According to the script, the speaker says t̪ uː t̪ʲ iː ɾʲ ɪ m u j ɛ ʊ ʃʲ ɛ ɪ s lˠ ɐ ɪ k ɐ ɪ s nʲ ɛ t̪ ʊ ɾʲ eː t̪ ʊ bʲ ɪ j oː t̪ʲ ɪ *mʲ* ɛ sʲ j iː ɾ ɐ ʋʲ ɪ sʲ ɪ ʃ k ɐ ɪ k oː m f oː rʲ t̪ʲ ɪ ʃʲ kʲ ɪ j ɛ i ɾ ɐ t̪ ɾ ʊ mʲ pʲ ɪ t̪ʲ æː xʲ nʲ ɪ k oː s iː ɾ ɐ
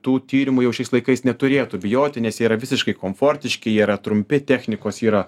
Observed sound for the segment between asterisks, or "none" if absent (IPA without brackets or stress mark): nʲ